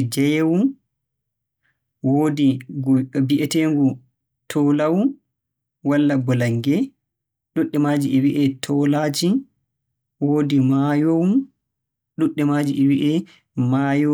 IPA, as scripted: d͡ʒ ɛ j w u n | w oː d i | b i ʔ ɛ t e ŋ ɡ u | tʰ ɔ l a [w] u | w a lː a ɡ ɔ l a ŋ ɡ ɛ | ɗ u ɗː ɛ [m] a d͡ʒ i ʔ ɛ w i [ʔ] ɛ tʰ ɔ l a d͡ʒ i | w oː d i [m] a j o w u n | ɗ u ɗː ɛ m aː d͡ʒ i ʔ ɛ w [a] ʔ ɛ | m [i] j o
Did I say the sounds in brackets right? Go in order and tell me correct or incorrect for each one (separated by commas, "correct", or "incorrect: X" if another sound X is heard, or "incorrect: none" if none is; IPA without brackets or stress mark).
correct, correct, correct, correct, incorrect: i, incorrect: a